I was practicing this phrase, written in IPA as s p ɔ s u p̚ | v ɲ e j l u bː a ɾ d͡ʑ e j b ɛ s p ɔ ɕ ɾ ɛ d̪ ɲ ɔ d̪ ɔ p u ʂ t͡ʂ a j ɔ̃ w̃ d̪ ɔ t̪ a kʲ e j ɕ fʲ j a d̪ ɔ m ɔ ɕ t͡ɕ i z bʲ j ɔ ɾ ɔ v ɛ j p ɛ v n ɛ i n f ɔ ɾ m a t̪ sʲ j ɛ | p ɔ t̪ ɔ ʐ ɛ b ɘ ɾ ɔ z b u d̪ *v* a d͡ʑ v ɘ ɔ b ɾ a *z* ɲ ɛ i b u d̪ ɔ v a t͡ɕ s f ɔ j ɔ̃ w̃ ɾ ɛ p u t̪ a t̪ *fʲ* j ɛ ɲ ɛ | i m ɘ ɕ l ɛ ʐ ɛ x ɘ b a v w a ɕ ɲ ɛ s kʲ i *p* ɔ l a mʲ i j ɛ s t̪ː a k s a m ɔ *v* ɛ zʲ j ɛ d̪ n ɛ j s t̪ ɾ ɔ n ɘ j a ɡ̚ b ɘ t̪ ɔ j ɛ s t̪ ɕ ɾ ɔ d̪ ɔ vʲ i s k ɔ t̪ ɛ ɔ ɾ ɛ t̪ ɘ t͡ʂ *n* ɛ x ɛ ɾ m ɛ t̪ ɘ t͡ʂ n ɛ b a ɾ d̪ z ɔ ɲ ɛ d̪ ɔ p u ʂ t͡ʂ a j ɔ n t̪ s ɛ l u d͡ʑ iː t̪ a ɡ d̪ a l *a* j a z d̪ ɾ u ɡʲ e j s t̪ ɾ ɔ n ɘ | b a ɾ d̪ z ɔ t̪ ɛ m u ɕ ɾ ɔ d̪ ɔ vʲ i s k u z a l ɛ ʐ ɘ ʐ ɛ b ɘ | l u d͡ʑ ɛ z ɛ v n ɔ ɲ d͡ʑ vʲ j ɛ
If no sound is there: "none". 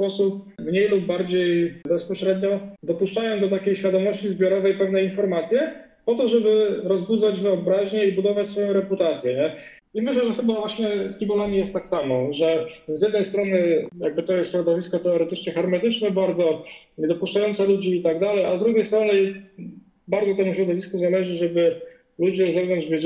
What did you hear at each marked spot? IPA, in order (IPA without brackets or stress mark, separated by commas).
z, ʑ, sʲ, b, ʐ, ɲ, ɛ